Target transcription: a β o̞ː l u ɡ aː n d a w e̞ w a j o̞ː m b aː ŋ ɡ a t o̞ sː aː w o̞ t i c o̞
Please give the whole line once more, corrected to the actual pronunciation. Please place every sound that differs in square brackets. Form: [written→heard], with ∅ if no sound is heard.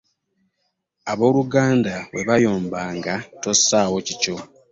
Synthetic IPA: a β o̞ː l u ɡ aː n d a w e̞ [w→β] a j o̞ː m b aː ŋ ɡ a t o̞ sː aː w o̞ [t→c] i c o̞